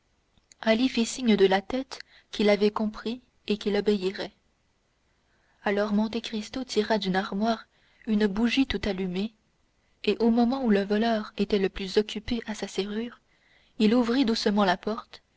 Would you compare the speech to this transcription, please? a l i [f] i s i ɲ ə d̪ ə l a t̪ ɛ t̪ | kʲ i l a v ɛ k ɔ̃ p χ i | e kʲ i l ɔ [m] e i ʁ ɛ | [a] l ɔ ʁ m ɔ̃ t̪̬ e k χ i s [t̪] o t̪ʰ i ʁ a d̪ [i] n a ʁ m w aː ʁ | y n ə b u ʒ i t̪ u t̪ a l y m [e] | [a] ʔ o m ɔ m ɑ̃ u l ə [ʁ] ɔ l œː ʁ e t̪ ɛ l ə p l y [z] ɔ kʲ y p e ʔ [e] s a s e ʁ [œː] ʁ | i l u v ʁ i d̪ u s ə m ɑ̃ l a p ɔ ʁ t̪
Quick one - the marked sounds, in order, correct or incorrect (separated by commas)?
correct, incorrect, correct, correct, incorrect, correct, incorrect, incorrect, correct, incorrect, incorrect